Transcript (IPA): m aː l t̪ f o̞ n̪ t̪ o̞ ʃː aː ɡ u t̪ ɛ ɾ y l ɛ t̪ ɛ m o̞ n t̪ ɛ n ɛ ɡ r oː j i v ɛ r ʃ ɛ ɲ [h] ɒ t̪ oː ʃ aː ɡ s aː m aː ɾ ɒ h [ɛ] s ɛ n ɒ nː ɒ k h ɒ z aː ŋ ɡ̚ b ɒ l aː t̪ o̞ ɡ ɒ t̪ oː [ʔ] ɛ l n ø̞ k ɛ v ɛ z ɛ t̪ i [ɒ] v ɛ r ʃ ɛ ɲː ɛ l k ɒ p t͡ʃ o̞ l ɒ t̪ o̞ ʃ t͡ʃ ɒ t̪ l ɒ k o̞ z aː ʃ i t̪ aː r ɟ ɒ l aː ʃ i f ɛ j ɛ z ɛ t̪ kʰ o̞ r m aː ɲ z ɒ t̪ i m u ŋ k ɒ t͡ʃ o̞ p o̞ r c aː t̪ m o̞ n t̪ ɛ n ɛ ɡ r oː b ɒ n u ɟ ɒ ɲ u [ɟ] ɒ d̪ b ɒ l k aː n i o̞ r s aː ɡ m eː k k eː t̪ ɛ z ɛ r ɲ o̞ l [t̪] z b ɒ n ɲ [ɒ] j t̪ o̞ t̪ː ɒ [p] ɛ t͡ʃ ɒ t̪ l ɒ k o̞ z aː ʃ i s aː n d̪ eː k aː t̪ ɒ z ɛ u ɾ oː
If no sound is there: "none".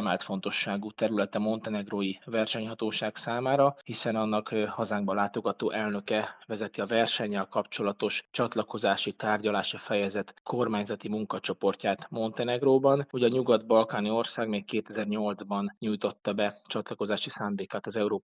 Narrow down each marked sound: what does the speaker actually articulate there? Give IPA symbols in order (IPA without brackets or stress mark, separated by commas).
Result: h, i, ʔ, ɒ, ɡ, d̪, u, b